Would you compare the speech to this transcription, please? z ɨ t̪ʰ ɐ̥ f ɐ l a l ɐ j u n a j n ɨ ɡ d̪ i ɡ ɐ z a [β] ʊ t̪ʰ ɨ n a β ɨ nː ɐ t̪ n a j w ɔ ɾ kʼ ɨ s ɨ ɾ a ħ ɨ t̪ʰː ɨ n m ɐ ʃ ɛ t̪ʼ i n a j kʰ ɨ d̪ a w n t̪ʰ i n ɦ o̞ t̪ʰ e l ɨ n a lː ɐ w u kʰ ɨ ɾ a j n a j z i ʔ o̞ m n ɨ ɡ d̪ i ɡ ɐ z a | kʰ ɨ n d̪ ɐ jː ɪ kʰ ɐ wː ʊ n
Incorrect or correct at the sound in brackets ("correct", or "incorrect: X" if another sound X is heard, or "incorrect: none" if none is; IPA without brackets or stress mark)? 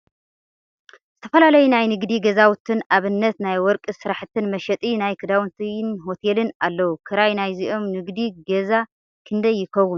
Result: incorrect: w